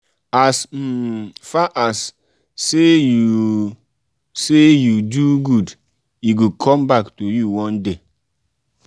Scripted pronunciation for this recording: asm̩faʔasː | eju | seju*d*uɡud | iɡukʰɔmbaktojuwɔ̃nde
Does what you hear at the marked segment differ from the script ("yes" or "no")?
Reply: no